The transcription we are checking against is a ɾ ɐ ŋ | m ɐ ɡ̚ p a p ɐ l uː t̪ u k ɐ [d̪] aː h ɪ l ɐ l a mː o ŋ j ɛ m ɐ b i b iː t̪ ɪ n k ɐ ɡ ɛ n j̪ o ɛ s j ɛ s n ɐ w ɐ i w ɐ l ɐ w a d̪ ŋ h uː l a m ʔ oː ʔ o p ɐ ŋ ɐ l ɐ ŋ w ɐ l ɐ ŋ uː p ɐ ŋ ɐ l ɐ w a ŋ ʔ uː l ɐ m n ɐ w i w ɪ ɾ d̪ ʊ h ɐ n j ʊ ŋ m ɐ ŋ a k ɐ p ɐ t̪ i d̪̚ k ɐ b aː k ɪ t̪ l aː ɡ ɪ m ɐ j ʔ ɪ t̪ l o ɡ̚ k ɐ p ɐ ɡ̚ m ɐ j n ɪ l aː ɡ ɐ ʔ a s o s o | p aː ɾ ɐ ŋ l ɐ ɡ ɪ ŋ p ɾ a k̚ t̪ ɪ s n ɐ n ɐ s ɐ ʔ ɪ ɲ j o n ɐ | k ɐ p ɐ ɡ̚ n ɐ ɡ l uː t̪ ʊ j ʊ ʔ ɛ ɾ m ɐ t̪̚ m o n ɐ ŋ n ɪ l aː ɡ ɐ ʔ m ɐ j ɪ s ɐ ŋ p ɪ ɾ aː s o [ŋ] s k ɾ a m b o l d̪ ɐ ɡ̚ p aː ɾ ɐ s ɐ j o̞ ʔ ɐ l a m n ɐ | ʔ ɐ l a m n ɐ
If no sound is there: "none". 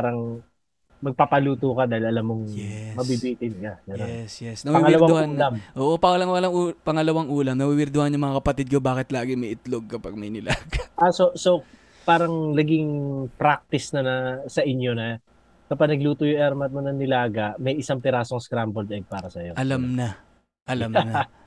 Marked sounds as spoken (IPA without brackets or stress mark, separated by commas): d̪, ŋ